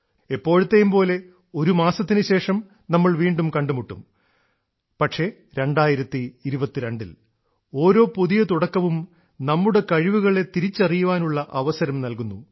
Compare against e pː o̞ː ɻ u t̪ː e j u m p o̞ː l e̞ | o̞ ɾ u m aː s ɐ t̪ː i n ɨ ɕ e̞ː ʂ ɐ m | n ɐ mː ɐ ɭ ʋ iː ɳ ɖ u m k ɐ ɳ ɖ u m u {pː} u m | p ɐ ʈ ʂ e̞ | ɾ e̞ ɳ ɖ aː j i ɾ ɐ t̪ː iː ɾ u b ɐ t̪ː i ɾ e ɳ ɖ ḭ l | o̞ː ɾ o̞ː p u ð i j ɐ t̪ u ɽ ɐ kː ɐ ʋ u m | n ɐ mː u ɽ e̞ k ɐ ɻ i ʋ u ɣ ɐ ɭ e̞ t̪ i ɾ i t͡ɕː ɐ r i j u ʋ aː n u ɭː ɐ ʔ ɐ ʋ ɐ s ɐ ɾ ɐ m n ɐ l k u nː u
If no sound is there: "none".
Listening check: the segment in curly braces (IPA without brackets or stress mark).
ʈː